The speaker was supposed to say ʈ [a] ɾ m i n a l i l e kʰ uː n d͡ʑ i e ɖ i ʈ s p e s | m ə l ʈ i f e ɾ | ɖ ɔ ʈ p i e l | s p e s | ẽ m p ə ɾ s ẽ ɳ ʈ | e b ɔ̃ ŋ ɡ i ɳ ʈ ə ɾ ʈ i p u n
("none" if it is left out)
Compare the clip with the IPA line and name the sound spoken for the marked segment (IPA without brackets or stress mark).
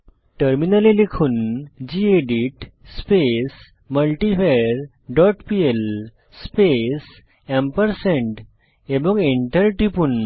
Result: ə